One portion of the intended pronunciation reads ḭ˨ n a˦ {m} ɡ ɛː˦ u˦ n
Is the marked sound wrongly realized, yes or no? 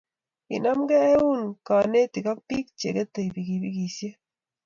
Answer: no